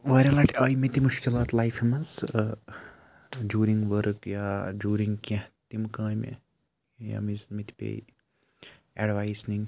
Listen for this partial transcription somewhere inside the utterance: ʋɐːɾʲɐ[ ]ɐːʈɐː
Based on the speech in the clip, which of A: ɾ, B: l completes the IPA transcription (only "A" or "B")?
B